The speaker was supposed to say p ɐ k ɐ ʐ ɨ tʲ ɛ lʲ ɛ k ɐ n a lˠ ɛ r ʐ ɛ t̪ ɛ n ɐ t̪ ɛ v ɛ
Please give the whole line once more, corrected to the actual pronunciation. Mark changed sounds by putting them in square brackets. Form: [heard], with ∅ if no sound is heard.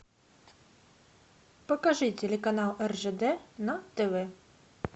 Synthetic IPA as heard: p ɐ k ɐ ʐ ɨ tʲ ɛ lʲ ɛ k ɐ n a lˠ ɛ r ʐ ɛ [d̪] ɛ n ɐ t̪ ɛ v ɛ